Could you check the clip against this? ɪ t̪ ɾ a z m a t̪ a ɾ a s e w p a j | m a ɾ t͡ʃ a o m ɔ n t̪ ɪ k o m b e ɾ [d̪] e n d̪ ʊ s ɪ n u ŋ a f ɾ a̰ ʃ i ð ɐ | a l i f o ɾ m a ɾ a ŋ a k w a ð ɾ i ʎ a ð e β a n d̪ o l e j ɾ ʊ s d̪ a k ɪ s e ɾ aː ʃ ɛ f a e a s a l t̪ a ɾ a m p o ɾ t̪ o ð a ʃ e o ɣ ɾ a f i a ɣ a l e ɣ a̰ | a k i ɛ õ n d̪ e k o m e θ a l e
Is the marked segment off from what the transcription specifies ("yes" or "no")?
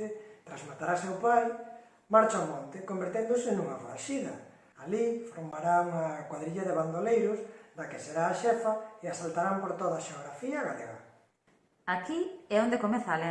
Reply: yes